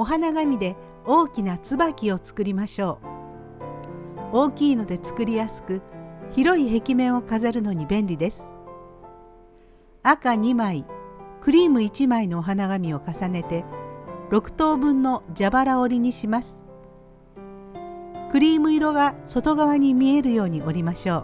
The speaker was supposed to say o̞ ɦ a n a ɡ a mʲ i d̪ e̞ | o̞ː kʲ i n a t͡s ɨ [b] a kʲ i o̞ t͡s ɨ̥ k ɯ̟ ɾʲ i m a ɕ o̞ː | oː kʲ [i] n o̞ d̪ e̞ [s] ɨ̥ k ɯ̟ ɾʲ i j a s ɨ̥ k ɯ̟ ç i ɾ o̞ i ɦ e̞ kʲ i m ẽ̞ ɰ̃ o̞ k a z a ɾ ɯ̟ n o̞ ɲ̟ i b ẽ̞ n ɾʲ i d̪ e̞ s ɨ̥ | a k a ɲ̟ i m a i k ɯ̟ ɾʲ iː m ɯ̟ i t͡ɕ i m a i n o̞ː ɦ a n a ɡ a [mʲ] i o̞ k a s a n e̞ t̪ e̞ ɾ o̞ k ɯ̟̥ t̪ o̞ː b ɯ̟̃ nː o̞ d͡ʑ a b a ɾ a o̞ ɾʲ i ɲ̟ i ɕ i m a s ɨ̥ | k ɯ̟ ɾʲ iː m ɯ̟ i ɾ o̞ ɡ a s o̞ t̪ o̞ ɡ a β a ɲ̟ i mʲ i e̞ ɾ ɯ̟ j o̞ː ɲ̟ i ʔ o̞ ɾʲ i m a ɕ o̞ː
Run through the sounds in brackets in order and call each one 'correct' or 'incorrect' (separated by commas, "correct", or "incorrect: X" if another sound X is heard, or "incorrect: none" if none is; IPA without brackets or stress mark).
correct, incorrect: iː, incorrect: t͡s, correct